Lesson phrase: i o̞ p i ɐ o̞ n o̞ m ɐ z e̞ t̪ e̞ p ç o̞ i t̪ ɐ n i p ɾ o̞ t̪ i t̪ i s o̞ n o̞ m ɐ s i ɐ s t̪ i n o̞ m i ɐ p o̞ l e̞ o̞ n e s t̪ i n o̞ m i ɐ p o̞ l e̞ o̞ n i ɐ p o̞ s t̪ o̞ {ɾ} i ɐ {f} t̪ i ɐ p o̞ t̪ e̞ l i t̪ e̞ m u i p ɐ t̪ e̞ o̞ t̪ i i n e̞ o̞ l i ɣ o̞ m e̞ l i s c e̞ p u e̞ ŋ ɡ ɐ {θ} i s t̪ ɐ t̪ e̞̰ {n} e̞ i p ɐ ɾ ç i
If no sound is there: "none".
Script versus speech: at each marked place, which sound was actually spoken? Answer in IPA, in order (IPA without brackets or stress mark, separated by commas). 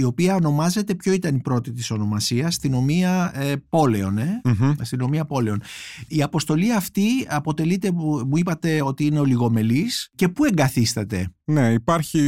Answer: l, f, θ, n